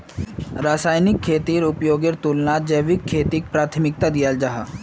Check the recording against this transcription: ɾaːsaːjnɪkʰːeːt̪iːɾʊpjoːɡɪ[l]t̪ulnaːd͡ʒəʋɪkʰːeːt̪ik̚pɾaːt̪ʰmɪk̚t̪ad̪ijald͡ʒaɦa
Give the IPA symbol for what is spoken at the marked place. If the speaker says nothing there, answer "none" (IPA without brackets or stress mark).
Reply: ɾ